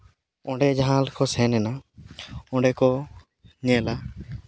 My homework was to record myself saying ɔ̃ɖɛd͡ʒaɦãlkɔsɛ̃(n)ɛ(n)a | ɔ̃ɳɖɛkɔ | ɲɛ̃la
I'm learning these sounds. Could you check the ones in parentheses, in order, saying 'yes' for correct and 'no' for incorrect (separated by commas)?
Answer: yes, yes